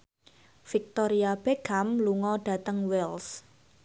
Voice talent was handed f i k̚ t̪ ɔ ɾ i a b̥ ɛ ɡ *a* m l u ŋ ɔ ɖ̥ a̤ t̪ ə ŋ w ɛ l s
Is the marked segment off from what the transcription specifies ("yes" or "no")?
no